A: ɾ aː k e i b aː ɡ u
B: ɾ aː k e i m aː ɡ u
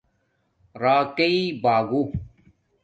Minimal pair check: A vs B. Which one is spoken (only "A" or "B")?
A